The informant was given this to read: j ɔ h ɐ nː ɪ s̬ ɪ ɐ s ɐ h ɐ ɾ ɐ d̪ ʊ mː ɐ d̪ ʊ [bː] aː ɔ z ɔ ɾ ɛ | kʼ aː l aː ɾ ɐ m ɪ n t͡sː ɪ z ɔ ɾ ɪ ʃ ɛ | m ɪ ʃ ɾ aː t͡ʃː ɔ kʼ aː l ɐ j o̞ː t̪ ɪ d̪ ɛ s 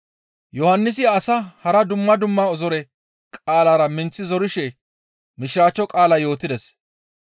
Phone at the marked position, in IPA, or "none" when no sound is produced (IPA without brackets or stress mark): mː